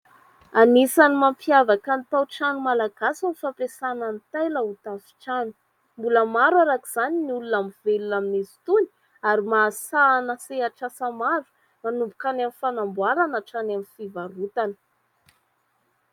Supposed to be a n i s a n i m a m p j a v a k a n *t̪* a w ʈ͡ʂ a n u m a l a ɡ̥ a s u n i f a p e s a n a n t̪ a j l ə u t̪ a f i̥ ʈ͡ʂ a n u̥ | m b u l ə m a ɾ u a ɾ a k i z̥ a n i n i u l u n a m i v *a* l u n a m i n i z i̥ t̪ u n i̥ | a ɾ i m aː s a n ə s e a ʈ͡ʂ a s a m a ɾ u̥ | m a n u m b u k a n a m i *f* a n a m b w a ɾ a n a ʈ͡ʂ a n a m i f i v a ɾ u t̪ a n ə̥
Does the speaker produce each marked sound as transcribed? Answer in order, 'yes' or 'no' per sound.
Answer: yes, no, yes

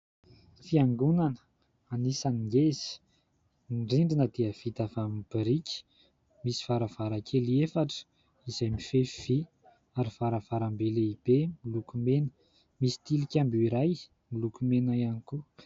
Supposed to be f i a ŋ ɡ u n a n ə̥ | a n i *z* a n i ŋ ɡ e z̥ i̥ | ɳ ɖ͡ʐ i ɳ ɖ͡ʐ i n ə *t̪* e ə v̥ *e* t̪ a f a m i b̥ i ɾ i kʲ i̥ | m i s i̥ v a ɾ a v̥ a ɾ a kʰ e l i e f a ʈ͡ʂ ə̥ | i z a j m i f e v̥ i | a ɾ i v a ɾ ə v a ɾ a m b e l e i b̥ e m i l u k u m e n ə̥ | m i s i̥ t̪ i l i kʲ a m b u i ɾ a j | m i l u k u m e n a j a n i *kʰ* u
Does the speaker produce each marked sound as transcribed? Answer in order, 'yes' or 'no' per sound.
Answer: no, no, no, no

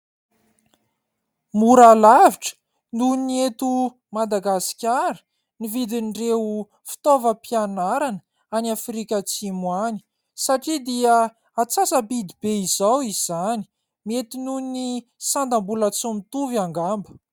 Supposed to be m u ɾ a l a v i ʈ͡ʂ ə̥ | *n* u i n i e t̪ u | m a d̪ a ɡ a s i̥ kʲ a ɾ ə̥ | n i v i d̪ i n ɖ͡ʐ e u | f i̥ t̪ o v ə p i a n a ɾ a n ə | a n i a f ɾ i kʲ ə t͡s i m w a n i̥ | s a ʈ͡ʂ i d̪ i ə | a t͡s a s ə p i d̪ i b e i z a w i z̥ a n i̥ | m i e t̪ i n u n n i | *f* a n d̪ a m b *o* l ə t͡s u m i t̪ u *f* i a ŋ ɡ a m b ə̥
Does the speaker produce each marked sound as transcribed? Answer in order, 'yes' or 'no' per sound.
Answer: yes, no, no, no

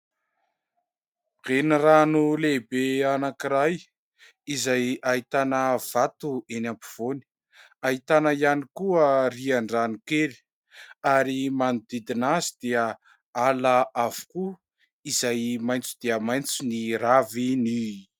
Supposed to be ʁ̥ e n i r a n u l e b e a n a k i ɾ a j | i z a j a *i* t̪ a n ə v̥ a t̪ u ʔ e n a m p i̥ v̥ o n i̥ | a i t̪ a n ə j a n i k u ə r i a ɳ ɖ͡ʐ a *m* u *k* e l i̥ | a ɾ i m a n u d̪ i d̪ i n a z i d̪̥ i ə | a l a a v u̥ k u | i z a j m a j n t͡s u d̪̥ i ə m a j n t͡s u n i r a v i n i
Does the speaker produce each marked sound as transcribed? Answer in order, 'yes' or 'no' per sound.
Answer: yes, no, yes

